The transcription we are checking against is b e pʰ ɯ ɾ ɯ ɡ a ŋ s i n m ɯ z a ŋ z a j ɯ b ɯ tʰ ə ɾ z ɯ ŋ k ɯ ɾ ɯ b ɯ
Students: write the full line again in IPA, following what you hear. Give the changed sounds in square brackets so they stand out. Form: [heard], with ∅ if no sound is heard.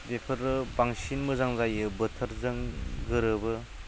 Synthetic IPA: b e pʰ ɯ ɾ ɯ [b] a ŋ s i n m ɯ z a ŋ z a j ɯ b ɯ tʰ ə ɾ z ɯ ŋ [ɡ] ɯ ɾ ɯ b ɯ